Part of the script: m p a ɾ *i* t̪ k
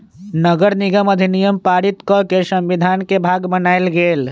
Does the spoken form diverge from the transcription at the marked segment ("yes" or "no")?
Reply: no